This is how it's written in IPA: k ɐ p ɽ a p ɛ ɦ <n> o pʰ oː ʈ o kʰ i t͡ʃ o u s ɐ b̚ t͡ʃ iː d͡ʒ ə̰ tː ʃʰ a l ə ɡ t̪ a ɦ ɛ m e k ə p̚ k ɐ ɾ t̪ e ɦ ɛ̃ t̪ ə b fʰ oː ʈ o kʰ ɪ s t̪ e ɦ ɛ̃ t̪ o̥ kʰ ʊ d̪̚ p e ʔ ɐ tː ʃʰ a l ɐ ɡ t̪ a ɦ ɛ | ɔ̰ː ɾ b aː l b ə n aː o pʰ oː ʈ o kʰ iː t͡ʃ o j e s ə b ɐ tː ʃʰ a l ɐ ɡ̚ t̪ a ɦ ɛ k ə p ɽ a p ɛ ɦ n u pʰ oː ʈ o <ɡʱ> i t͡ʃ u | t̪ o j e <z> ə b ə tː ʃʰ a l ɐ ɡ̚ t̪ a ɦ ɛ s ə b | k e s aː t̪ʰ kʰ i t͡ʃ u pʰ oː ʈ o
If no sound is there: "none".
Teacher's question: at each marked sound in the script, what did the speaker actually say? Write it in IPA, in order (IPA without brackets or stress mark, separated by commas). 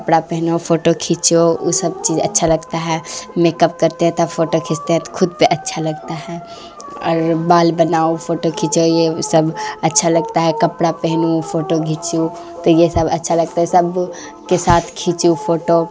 n, ɡʱ, s